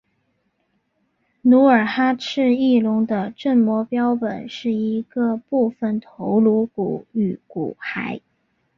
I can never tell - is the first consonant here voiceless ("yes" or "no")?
no